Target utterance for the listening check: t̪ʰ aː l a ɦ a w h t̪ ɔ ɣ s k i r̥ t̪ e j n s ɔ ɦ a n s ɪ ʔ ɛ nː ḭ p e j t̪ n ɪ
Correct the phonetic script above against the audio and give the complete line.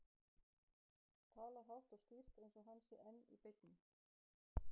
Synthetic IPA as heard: t̪ʰ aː l a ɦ a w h t̪ ɔ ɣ s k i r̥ t̪ e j n s ɔ ɦ a n s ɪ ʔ ɛ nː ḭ p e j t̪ n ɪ